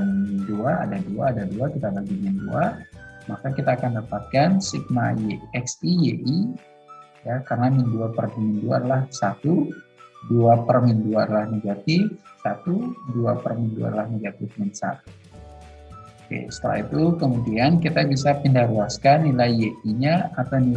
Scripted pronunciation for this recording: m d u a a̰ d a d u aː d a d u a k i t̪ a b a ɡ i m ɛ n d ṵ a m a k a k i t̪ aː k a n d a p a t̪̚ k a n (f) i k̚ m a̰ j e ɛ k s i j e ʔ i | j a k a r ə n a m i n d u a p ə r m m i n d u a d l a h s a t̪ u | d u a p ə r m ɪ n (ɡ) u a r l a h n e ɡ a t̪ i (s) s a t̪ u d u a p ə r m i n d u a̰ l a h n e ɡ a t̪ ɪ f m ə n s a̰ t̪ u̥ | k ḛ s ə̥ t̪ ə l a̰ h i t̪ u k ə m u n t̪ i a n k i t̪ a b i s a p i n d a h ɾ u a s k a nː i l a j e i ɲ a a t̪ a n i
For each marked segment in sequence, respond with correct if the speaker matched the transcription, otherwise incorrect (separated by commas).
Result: incorrect, incorrect, incorrect